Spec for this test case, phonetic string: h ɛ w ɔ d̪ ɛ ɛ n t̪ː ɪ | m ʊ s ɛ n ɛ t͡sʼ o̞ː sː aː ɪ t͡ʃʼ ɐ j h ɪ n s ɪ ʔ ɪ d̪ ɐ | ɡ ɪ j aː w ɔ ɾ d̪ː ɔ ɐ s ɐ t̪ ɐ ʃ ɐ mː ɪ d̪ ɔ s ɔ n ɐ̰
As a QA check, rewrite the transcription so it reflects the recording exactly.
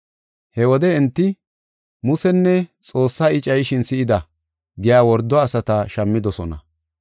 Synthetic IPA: h ɛ w ɔ d̪ ɛ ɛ n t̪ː ɪ | m ʊ s ɛ nː ɛ t͡sʼ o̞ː sː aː ɪ t͡ʃʼ ɐ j ʃ ɪ n s ɪ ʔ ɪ d̪ ɐ | ɡ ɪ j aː w ɔ ɾ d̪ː ɔ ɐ s ɐ t̪ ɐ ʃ ɐ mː ɪ d̪ ɔ s ɔ n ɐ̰